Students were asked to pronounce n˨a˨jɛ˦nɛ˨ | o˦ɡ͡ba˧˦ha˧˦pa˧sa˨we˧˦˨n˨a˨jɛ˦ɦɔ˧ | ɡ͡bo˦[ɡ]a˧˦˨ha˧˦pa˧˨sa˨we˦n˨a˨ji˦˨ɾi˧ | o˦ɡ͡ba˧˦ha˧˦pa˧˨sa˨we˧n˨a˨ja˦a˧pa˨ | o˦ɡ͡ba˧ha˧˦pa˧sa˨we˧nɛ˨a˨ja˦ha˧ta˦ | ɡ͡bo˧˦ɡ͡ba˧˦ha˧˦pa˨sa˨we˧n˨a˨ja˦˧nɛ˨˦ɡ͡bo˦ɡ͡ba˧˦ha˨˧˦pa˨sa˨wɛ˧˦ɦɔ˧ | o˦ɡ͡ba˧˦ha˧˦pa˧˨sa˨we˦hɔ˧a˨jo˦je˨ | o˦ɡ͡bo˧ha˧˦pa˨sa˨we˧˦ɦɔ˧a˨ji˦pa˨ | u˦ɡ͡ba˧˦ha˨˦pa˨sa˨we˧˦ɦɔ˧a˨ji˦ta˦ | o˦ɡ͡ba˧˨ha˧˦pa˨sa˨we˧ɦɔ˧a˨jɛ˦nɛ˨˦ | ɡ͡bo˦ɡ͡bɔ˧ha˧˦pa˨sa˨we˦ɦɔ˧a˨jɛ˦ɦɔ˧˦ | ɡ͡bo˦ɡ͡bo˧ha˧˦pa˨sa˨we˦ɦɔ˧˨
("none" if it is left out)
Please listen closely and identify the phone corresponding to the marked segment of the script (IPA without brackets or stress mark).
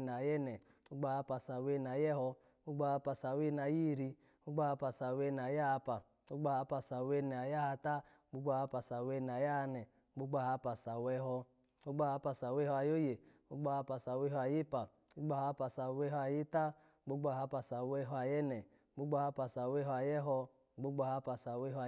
ɡ͡b